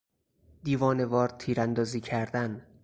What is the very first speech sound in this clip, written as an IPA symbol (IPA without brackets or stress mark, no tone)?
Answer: d̪